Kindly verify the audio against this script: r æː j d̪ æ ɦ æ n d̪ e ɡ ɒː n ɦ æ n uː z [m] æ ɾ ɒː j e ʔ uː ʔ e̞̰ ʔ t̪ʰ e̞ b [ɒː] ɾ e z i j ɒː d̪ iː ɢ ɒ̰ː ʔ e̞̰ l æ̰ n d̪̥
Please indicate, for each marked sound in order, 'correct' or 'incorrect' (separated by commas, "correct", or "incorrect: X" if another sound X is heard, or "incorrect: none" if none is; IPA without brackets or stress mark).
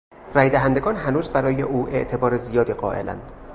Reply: incorrect: b, correct